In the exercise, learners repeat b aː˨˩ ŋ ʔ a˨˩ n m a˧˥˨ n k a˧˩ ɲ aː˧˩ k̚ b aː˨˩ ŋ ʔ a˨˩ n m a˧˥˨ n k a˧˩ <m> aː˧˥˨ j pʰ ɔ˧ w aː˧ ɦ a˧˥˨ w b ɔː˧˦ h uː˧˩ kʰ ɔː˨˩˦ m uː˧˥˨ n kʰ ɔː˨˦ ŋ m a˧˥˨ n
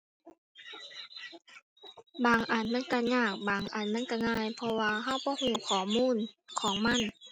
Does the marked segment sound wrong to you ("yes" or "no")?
yes